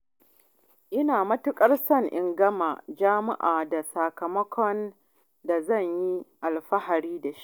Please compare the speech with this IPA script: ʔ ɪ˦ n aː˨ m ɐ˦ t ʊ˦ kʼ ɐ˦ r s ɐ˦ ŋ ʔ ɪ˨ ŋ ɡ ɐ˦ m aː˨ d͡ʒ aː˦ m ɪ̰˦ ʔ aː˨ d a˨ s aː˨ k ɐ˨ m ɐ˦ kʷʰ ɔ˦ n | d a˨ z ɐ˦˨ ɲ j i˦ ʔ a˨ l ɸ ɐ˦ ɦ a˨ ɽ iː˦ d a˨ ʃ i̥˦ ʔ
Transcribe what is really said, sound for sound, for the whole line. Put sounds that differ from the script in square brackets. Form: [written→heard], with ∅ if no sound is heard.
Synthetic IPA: ʔ ɪ˦ n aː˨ m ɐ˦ t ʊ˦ kʼ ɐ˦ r s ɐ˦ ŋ ʔ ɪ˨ ŋ ɡ ɐ˦ m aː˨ d͡ʒ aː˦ m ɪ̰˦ ʔ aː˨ d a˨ s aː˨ k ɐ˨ m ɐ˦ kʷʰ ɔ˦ n | d a˨ z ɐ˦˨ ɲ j i˦ ʔ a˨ l ɸ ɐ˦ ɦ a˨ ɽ iː˦ d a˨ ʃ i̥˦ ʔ